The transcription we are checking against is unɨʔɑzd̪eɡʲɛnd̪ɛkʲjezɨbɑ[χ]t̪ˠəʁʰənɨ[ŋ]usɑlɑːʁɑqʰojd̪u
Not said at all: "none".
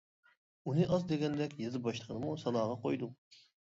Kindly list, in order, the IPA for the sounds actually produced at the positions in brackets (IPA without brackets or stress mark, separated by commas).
ʃ, m